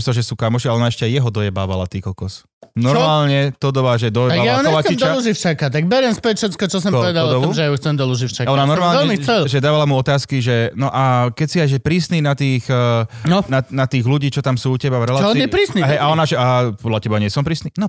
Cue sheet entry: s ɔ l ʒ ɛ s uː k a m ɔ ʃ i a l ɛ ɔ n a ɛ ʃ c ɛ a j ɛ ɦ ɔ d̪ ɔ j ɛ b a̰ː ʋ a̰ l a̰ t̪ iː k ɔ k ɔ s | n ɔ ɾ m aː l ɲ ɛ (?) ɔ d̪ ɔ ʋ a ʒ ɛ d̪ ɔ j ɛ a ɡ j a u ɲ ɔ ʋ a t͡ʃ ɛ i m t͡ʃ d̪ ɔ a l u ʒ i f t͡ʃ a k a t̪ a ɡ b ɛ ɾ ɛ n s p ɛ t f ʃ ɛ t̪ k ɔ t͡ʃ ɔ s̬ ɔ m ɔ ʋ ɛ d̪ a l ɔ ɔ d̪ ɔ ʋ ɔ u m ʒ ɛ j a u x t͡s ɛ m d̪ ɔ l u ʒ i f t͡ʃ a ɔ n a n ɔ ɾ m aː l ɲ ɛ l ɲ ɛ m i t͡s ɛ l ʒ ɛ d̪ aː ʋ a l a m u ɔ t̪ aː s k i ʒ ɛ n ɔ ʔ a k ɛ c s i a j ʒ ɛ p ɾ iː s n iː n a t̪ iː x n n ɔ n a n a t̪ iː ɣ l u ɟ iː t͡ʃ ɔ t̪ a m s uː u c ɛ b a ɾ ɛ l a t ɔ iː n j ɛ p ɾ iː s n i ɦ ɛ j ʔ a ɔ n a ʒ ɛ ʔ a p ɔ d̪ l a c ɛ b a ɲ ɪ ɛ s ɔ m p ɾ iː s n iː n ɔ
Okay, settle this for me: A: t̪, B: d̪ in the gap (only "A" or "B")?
A